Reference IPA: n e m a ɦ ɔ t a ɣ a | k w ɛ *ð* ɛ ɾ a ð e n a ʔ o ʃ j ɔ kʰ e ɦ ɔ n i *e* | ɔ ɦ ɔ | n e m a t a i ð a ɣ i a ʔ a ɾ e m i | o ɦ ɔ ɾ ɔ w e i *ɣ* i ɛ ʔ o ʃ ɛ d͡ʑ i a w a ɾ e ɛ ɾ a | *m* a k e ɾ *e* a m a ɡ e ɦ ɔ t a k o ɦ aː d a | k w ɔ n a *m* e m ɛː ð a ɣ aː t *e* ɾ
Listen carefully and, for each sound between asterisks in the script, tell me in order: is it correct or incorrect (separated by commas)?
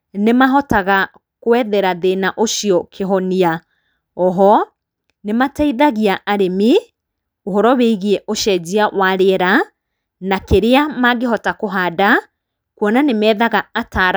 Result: correct, incorrect, correct, incorrect, correct, incorrect, incorrect